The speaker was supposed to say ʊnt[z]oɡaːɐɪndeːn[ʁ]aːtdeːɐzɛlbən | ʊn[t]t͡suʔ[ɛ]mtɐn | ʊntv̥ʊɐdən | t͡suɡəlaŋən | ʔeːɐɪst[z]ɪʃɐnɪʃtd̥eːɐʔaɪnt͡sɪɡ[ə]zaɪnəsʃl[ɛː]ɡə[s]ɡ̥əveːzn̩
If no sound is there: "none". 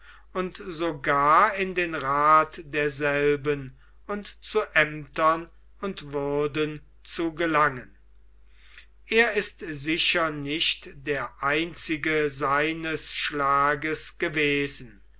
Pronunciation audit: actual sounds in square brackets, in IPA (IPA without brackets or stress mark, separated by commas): z, ʁ, t, ɛ, z, ə, aː, s